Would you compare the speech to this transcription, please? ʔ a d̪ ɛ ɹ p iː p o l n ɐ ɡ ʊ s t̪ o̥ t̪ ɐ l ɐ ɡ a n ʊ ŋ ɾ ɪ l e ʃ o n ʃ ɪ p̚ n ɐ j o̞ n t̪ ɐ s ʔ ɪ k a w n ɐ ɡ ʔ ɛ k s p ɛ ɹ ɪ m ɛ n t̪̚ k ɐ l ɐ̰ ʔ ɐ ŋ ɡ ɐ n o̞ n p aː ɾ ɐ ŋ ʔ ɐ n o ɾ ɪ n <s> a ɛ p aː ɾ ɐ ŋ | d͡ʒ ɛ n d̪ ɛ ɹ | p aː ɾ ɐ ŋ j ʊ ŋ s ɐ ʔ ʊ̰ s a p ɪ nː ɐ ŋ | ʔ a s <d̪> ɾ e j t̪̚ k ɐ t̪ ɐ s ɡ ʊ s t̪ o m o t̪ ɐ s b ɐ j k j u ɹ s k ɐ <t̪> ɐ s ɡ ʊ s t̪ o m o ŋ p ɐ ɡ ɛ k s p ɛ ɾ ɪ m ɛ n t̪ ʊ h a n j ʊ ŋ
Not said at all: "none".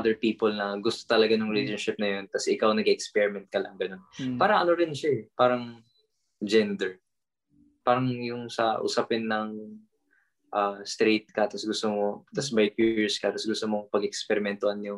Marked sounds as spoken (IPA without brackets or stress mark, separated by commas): ʃ, t̪, t̪